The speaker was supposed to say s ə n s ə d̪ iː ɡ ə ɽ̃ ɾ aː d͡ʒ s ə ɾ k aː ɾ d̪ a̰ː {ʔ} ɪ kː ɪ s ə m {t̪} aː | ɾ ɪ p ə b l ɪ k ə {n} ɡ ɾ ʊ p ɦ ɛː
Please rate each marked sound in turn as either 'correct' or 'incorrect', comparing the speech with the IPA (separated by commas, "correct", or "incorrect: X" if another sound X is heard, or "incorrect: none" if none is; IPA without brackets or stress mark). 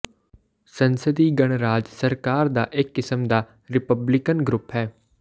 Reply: correct, incorrect: d̪, correct